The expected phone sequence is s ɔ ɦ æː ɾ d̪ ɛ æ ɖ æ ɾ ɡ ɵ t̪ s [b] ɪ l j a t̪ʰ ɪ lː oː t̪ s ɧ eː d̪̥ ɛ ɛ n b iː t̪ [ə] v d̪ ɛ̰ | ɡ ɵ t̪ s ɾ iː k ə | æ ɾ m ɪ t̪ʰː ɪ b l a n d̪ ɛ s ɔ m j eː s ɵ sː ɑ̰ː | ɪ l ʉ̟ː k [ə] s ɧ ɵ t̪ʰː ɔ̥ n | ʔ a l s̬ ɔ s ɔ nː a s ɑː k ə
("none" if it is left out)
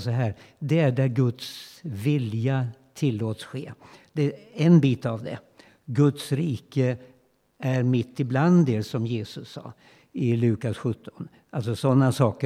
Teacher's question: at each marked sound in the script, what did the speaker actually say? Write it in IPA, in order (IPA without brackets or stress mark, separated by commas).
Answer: v, a, a